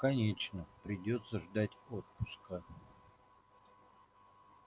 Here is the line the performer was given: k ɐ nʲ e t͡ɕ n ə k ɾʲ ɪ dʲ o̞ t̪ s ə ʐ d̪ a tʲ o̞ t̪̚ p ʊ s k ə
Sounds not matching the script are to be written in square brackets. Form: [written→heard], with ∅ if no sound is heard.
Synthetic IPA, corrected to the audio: k ɐ nʲ e t͡ɕ n ə [k→p] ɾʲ ɪ dʲ o̞ t̪ s ə ʐ d̪ a tʲ o̞ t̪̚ p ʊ s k ə